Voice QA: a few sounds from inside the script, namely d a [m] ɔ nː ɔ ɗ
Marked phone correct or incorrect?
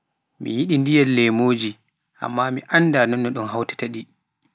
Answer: incorrect